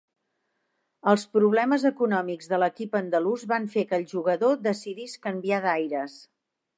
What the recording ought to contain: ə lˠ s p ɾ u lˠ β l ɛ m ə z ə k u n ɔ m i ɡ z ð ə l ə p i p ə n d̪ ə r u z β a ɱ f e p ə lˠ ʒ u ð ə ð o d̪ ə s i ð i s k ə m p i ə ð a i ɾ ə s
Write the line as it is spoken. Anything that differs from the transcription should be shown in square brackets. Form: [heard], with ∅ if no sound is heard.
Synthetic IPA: ə lˠ s p ɾ u [∅] β l ɛ m ə z ə k u n ɔ m i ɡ z ð ə l ə [k] i p ə n d̪ ə [l] u z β a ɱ f e [k] ə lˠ ʒ u [ɣ] ə ð o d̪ ə s i ð i s k ə m [b] i [a] ð a [j] ɾ ə s